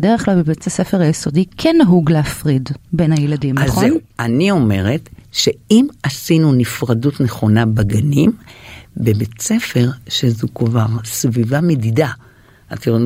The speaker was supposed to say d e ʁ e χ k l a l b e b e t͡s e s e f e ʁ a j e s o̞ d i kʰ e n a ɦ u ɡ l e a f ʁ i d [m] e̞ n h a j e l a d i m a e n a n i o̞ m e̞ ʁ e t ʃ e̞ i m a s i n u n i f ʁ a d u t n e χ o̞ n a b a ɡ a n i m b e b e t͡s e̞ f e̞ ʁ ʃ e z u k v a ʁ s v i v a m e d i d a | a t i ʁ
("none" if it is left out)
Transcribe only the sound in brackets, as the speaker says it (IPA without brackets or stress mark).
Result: b